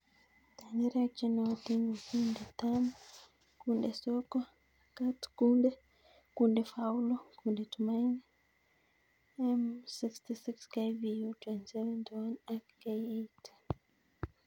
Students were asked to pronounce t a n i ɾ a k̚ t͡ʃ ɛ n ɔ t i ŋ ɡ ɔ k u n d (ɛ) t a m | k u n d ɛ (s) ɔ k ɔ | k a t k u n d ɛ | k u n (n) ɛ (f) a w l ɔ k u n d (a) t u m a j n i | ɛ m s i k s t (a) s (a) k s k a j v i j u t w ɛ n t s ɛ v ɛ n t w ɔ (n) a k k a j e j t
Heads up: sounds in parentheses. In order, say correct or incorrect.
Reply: correct, correct, incorrect: d, correct, incorrect: ɛ, incorrect: i, incorrect: i, correct

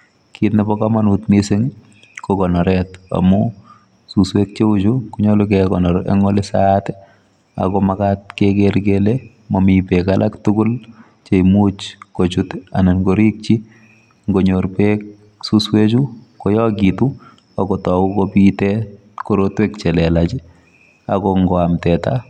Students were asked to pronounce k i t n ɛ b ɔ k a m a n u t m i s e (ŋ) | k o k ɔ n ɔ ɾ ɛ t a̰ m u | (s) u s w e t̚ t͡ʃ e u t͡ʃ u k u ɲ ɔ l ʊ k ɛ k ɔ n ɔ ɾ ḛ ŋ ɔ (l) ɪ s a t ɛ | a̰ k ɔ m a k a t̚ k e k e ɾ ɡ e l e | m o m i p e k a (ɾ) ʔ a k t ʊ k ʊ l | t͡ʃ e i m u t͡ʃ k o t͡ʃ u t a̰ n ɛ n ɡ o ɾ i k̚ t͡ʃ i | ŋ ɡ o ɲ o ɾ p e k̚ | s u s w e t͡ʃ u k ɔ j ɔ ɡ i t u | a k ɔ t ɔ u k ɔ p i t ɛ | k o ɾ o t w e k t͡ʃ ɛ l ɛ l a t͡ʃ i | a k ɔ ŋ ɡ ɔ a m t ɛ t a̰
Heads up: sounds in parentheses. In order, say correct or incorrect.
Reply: correct, correct, correct, incorrect: l

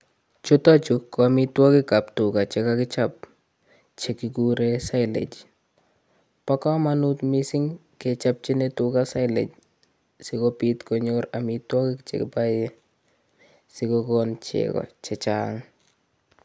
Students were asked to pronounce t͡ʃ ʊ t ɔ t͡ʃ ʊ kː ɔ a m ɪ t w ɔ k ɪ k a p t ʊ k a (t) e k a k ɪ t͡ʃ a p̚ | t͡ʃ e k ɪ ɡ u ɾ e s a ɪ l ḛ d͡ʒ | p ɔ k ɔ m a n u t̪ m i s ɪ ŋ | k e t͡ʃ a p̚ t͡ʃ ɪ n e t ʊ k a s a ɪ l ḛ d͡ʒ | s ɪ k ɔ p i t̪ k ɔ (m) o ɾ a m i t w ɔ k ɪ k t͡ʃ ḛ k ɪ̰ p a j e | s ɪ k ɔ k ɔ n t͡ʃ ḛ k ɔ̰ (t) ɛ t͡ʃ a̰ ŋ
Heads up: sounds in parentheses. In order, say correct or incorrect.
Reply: incorrect: t͡ʃ, incorrect: ɲ, incorrect: t͡ʃ

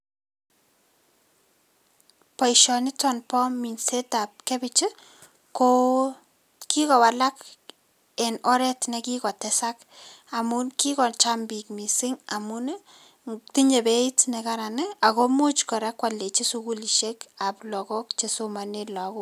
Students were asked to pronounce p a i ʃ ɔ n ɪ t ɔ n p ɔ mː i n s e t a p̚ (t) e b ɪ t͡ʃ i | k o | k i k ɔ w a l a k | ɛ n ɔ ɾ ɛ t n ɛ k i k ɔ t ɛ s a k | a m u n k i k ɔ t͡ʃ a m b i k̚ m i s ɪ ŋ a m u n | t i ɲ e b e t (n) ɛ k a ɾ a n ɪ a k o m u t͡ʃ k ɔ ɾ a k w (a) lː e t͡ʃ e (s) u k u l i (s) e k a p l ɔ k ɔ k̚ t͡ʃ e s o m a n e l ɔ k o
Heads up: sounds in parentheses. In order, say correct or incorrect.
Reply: incorrect: k, correct, correct, correct, incorrect: ʃ

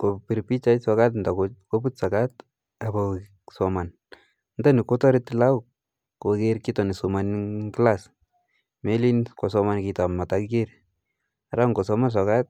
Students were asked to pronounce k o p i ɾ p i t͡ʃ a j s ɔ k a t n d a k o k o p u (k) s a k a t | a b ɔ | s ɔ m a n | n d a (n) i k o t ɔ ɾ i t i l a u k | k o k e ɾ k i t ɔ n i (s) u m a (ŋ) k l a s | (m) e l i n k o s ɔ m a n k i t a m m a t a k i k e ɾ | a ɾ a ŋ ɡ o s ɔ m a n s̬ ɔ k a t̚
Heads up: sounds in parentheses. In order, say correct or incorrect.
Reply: incorrect: t, correct, correct, incorrect: n, correct

